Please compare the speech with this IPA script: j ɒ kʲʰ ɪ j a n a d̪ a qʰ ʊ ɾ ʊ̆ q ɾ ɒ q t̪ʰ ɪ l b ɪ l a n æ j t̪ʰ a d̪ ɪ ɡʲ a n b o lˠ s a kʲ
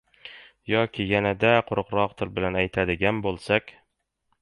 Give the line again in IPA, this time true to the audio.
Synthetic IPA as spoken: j ɒ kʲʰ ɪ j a n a d̪ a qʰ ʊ ɾ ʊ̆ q ɾ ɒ q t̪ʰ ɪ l b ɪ l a n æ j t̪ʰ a d̪ ɪ ɡʲ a n b o lˠ s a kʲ